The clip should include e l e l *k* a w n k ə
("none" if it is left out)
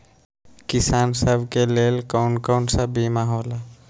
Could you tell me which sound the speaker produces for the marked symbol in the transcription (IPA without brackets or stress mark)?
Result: k